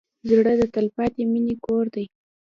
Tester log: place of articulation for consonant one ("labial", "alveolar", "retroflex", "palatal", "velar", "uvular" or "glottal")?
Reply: alveolar